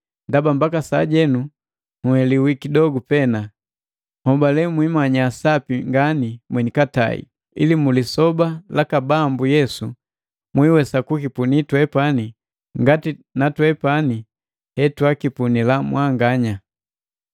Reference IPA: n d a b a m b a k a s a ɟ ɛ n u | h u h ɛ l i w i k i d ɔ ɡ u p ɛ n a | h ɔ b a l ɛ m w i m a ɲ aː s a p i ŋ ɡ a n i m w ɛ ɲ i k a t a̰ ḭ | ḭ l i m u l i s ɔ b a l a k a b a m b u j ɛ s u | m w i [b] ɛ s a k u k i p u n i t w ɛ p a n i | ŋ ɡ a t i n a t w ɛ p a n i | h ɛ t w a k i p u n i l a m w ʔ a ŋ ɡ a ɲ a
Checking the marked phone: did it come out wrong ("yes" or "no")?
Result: yes